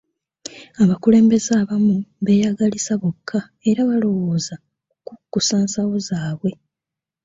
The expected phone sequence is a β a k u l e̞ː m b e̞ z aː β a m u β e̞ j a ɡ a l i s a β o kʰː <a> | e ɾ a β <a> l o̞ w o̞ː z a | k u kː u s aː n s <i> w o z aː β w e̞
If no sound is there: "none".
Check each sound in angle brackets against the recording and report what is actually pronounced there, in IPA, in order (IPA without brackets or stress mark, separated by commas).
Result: a, a, a